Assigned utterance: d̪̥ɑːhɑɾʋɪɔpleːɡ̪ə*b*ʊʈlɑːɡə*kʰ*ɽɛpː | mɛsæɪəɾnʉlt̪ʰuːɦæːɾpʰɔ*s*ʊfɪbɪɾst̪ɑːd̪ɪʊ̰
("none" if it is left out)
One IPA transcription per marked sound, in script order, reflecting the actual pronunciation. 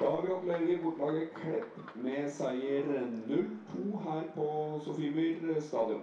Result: b, kʰ, s

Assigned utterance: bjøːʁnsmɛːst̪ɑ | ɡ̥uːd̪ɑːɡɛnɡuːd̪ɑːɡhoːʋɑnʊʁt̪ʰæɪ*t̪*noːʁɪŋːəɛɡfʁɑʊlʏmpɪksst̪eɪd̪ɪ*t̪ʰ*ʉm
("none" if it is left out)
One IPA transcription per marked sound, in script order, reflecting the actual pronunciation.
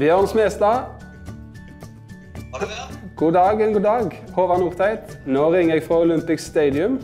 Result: t̪, none

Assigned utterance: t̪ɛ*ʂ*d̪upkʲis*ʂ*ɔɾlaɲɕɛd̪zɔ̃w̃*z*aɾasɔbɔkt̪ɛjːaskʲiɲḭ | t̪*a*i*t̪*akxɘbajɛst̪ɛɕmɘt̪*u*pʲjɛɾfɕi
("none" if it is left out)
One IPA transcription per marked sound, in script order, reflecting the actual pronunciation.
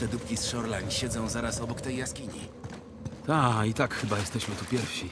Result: none, ʂ, z, a, t̪, u

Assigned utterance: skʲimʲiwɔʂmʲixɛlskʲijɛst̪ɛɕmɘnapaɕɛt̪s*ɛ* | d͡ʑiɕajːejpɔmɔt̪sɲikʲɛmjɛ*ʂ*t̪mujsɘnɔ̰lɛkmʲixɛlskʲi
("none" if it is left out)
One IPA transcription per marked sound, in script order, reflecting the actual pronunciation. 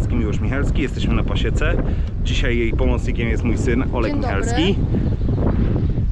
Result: ɛ, s

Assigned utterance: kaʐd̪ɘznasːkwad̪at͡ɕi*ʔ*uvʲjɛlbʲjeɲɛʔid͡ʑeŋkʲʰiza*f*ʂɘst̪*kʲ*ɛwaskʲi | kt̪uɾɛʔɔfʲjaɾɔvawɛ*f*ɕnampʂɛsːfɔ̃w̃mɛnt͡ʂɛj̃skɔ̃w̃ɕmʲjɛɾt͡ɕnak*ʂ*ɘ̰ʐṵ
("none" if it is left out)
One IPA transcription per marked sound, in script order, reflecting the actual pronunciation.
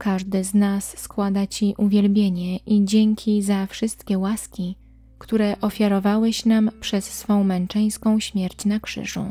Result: ʔ, f, kʲ, none, ʂ

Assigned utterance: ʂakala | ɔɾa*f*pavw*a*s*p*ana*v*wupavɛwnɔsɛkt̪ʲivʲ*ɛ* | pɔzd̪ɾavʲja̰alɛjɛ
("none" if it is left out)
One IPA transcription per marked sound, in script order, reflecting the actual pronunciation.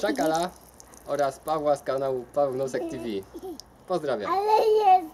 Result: s, a, k, none, i

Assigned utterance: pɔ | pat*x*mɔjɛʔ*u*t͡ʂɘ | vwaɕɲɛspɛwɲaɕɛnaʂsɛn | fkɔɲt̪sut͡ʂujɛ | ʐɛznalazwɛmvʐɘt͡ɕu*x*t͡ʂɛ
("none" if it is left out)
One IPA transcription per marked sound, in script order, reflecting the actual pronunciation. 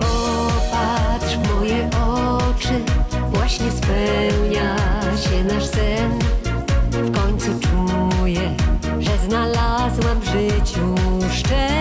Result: ʂ, ɔ, ʂ

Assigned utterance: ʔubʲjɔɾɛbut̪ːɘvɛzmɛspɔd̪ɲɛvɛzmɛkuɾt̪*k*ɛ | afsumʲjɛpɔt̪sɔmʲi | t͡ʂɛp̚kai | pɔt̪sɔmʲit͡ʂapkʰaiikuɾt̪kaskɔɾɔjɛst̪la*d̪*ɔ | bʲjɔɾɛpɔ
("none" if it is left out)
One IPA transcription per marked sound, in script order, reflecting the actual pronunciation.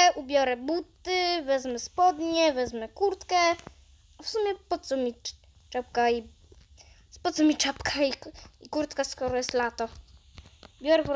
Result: k, t̪

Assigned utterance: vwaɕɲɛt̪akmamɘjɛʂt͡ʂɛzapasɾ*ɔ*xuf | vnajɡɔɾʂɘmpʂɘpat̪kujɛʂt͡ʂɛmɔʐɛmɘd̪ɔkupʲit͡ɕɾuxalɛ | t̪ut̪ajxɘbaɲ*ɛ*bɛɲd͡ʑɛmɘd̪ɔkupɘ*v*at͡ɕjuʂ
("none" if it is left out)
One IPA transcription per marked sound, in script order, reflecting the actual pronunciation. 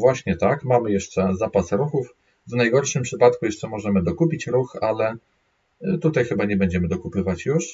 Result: u, ɛ, v

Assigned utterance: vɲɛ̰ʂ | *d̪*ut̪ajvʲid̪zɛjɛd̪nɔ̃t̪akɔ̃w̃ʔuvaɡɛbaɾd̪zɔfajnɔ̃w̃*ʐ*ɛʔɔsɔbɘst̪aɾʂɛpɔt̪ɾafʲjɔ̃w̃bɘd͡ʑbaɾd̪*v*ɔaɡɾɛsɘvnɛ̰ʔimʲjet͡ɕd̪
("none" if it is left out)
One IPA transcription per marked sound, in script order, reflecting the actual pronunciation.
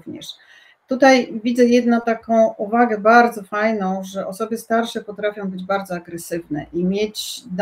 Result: t̪, ʐ, z

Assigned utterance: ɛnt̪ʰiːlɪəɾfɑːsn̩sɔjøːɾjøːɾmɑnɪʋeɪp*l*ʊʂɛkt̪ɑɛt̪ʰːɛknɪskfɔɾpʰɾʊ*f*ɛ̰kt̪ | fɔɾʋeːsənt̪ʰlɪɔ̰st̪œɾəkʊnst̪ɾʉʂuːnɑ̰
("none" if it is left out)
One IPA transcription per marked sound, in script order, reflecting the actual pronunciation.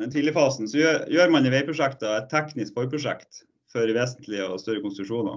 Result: ɾ, ʂ

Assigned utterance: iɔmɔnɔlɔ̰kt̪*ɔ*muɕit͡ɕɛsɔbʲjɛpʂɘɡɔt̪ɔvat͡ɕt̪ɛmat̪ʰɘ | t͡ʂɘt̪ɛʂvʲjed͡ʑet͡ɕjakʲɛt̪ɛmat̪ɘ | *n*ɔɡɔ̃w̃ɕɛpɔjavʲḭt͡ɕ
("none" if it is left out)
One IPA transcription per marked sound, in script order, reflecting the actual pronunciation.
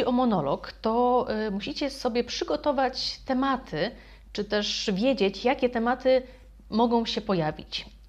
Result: ɔ, m

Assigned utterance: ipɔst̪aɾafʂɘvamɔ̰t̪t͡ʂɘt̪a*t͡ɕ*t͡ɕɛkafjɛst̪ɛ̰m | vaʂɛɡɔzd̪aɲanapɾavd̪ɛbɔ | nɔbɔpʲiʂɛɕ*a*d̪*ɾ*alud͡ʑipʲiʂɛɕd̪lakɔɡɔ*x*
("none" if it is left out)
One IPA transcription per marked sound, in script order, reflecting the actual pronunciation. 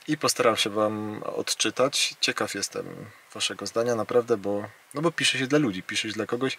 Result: t͡ɕ, ɛ, l, ɕ

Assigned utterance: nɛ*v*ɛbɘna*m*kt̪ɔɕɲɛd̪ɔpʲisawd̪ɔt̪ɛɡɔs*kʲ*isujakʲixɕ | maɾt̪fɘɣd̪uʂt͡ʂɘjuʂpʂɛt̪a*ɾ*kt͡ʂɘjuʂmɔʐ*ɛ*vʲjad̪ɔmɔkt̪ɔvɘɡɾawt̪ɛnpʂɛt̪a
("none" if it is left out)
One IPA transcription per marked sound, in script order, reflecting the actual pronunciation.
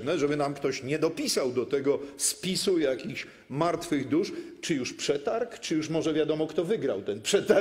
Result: ʐ, m, pʲ, ɾ, ɛ

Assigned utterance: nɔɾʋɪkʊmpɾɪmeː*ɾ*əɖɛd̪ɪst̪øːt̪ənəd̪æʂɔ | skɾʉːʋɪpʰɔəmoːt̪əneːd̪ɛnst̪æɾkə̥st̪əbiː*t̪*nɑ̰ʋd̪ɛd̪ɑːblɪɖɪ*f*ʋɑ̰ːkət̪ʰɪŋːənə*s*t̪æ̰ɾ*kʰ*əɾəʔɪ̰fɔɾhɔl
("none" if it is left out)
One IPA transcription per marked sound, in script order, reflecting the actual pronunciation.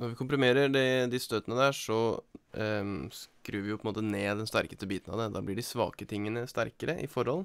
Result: ɾ, t̪, s, s, k

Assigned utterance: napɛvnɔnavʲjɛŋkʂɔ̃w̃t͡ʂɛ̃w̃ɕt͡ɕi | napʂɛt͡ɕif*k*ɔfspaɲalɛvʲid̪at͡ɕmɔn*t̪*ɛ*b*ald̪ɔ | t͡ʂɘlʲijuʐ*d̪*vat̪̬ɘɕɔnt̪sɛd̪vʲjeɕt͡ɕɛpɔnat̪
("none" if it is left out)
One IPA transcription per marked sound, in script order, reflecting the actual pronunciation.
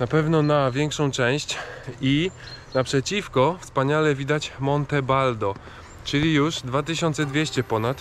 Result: k, t̪, b, d̪

